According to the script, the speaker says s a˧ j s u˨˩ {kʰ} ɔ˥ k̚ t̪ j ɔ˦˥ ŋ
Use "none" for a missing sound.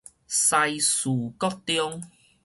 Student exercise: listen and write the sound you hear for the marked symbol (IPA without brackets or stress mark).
k